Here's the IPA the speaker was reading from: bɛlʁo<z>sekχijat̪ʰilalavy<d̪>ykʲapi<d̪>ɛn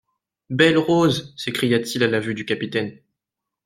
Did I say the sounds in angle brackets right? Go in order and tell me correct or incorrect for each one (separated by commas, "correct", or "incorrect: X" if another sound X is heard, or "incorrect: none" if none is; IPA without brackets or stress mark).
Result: correct, correct, incorrect: t̪